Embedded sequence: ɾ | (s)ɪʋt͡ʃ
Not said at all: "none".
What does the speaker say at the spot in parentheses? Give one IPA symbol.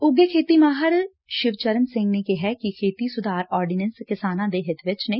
ʃ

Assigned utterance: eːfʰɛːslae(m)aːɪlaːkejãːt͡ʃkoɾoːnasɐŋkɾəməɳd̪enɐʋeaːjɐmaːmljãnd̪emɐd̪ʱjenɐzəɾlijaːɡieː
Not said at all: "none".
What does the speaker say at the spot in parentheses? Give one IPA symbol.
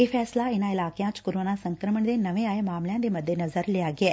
n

